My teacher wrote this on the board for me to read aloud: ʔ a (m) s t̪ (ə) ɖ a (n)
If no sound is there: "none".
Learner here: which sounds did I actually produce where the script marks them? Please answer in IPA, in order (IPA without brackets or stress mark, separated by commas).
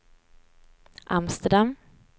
m, ə, m